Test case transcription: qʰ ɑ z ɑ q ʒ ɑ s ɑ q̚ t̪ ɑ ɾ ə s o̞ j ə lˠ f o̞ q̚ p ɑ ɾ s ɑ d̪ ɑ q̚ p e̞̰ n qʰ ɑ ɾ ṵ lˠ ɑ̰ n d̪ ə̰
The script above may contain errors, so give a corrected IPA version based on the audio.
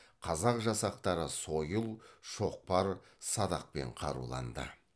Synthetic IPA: qʰ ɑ z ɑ q ʒ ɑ s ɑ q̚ t̪ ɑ ɾ ə s o̞ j ə lˠ ʃ o̞ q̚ p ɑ ɾ s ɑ d̪ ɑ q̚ p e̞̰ ɴ qʰ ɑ ɾ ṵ lˠ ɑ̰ n d̪ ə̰